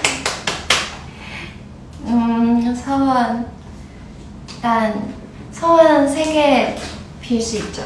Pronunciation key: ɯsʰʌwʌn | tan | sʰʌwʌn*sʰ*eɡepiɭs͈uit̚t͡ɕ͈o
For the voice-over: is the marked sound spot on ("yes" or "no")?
yes